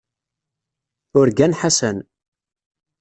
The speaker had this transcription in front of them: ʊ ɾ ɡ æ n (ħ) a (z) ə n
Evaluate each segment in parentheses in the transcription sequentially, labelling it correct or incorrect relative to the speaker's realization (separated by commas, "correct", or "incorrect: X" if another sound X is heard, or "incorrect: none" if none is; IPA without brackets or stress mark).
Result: correct, incorrect: s